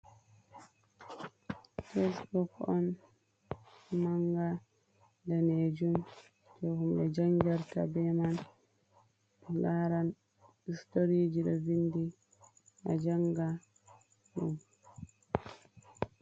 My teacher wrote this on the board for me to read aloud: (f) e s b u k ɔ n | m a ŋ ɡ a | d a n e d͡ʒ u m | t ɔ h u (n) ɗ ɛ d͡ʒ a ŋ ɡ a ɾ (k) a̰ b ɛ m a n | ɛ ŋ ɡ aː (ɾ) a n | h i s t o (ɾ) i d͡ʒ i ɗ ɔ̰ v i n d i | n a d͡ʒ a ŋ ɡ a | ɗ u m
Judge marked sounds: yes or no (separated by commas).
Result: yes, no, no, yes, yes